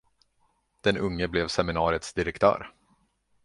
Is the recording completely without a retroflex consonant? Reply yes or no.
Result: yes